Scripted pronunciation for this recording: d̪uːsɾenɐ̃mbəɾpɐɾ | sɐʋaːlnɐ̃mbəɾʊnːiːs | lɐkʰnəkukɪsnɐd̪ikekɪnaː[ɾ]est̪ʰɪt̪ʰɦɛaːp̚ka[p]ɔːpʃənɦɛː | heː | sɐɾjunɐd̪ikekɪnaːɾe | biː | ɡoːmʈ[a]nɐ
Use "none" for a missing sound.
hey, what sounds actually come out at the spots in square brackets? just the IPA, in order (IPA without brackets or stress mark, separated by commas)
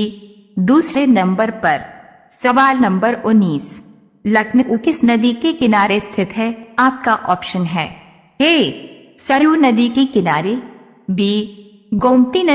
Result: ɾ, ʔ, i